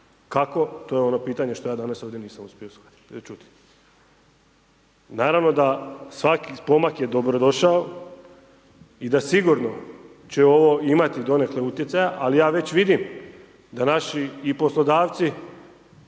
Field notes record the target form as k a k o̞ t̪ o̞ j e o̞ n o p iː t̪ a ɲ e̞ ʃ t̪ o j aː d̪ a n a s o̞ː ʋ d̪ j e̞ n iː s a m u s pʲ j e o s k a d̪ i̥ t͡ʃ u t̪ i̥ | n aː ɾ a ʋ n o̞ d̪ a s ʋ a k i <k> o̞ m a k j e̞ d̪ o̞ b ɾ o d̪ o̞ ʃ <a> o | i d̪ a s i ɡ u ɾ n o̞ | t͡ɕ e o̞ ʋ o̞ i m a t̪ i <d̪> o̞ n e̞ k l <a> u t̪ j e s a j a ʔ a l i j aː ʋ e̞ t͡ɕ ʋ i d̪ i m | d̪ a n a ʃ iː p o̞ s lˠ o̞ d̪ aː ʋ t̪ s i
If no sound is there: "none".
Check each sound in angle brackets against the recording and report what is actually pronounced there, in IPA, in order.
p, a, d̪, e

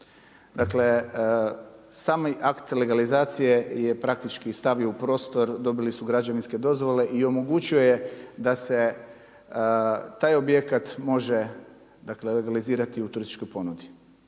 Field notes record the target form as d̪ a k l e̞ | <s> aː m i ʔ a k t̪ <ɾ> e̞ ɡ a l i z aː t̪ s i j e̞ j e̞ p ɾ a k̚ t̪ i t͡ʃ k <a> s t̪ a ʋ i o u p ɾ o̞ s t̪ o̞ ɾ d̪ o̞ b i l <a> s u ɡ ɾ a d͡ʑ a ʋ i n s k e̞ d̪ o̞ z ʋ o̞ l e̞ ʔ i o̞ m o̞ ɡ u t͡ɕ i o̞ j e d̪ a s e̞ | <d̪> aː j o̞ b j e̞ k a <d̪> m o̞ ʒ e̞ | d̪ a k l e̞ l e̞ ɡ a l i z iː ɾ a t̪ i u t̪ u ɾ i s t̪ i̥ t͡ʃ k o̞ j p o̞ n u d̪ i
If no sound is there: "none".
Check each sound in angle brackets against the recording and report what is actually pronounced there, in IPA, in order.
s, l, i, i, t̪, t̪

